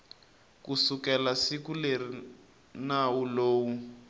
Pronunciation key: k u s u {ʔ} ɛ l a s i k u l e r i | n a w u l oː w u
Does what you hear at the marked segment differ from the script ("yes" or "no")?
yes